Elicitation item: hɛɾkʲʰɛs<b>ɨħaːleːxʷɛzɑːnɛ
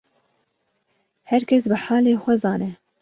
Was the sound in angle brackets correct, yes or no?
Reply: yes